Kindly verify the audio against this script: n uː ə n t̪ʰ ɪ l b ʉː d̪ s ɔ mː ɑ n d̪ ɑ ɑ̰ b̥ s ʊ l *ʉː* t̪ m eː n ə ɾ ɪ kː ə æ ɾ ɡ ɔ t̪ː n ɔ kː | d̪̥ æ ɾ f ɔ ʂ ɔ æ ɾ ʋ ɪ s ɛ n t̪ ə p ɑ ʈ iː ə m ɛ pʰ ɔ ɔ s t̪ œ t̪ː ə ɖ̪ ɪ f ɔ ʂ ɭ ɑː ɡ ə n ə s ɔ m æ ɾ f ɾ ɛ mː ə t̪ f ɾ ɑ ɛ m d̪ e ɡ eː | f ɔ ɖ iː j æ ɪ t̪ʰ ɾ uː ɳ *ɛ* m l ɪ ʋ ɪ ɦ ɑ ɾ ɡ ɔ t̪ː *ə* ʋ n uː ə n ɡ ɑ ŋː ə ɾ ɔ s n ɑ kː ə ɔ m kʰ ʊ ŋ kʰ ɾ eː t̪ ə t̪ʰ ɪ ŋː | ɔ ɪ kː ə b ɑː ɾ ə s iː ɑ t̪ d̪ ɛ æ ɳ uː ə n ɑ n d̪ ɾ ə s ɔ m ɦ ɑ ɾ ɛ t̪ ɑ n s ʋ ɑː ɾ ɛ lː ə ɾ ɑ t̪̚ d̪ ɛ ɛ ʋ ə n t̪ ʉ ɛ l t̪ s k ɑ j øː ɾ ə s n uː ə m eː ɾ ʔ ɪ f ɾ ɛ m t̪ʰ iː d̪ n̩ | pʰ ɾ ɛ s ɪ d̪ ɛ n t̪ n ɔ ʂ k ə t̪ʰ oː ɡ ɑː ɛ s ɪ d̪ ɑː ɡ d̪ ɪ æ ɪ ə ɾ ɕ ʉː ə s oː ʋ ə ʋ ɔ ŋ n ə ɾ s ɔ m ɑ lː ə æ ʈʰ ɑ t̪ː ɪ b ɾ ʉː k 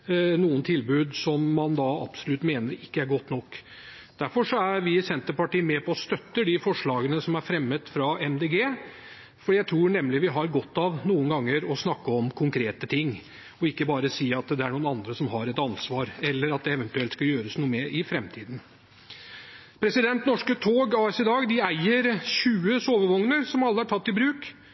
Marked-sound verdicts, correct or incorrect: incorrect, correct, incorrect

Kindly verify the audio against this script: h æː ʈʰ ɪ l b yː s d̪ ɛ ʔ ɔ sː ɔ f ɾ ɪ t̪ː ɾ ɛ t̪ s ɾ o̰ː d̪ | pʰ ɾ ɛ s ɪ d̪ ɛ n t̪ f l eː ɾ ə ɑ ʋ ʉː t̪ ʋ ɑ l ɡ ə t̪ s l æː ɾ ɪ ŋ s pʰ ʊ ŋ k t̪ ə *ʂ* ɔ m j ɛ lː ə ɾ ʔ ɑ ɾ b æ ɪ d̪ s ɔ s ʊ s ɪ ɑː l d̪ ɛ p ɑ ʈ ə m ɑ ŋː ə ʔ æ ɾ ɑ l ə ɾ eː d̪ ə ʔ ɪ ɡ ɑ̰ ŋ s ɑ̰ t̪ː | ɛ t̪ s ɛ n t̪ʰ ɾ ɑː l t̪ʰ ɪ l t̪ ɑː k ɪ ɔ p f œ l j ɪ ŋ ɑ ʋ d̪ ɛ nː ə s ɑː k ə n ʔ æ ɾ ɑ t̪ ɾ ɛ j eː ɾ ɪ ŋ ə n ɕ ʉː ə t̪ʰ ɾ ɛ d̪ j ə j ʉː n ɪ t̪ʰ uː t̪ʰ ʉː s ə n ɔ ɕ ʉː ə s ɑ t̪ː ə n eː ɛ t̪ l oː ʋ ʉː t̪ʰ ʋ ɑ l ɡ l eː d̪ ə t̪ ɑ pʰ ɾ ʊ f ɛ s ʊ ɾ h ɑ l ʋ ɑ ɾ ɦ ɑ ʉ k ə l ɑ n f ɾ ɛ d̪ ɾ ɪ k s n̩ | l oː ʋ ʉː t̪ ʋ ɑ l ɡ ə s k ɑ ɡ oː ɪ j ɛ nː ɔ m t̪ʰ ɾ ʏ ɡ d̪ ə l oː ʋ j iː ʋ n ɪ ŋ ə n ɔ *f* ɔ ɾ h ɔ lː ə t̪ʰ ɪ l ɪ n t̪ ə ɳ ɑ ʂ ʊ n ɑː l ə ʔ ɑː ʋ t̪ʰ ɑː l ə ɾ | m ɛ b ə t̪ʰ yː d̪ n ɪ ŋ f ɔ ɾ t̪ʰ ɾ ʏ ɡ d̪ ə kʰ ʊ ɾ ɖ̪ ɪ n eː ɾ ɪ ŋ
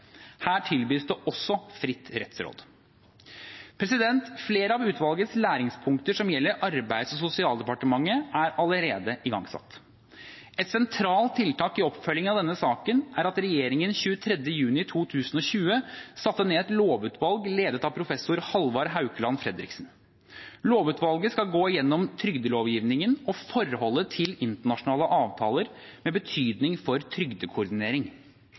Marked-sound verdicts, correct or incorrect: correct, correct

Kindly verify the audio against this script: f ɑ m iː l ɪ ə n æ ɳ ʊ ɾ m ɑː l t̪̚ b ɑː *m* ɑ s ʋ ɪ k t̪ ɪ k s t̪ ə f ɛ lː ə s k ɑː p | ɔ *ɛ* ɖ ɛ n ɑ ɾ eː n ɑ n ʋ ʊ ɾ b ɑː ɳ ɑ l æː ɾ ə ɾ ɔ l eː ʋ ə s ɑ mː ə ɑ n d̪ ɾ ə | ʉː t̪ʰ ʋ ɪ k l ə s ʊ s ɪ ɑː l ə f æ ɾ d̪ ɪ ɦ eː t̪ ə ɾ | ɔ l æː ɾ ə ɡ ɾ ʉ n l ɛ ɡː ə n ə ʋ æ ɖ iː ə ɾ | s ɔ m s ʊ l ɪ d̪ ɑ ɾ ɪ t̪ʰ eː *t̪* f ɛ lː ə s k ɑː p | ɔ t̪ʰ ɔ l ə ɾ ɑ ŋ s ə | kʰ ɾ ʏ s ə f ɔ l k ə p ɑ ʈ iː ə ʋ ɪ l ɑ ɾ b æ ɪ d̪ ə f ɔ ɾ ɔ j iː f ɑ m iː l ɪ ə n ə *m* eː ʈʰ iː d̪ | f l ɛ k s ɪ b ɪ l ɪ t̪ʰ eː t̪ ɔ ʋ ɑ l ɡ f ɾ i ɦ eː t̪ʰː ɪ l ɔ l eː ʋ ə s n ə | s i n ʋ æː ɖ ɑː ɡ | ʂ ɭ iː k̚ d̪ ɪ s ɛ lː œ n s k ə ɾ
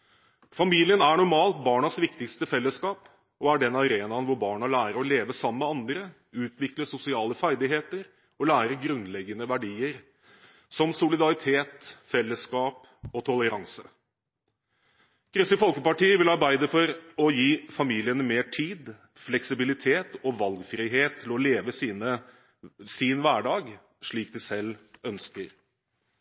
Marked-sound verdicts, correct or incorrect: incorrect, incorrect, correct, correct

